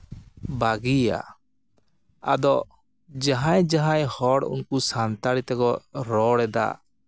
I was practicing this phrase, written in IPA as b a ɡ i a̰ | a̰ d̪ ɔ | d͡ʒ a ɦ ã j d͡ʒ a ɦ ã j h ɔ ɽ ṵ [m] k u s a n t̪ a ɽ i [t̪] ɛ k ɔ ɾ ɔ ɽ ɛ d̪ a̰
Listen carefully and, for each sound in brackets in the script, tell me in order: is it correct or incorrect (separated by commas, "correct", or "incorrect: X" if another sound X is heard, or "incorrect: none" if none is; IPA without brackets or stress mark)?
incorrect: n, correct